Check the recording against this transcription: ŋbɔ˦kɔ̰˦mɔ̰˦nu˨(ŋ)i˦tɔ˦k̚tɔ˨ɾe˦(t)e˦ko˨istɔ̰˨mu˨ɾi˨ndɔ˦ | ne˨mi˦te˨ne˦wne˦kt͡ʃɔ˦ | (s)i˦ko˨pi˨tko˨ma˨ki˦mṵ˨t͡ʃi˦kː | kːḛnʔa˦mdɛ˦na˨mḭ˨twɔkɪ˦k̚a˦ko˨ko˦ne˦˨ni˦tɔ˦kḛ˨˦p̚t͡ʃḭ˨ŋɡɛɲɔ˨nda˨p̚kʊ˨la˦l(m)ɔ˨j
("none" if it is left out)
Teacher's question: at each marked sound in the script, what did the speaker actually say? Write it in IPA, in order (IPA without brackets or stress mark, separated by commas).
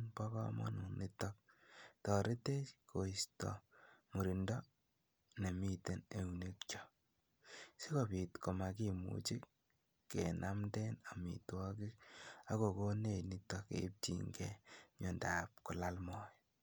n, t, s, m